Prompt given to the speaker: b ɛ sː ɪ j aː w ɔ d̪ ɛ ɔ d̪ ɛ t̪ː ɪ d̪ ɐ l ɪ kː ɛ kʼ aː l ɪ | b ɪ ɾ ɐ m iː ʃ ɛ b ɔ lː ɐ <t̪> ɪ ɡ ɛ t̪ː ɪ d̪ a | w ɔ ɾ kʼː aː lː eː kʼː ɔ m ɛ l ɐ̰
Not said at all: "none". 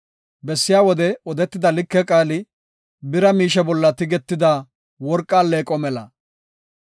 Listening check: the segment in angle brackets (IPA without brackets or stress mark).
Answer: t̪